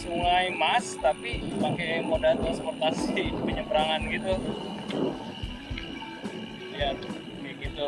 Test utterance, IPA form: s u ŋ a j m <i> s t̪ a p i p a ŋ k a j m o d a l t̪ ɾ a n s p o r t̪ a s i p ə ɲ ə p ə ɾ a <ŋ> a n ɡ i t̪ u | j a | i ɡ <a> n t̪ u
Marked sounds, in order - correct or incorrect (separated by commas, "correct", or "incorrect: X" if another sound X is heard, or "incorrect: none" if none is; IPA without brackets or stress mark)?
incorrect: a, correct, incorrect: i